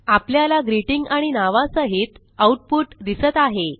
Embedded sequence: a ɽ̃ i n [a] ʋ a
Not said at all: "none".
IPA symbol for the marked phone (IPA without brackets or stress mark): a